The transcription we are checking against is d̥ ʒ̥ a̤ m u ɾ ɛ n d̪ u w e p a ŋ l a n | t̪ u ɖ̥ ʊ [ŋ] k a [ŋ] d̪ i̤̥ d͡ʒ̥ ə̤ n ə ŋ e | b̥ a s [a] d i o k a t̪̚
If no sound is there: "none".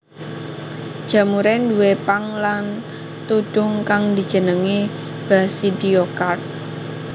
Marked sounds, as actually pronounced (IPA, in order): ŋ, ŋ, i

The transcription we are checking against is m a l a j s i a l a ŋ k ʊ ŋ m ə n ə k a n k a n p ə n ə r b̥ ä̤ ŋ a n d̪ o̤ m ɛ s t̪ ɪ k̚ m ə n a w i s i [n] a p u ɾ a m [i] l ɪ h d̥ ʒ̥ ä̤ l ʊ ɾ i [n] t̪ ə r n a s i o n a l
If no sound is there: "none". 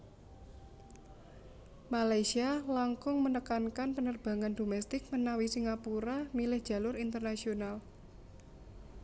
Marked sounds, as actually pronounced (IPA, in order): ŋ, i, n

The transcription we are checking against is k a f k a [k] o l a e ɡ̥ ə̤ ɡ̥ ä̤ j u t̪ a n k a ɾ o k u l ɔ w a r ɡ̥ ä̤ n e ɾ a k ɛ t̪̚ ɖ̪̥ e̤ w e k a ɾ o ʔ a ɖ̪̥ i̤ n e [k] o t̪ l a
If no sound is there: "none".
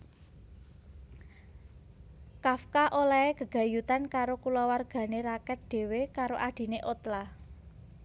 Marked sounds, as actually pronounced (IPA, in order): ʔ, ʔ

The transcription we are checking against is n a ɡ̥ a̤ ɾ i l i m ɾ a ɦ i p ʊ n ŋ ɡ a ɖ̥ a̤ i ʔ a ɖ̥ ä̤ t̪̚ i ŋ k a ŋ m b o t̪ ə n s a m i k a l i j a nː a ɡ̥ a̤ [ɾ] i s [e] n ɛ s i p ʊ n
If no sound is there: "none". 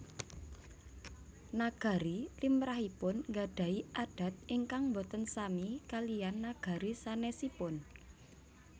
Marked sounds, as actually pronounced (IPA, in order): ɾ, a

